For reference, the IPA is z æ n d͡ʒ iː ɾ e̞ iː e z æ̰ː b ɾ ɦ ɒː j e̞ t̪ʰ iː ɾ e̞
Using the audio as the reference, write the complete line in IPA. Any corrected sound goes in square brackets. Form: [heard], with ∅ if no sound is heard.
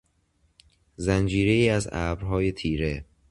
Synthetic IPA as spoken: z æ n d͡ʒ iː ɾ e̞ iː [æ] z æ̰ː b ɾ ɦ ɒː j e̞ t̪ʰ iː ɾ e̞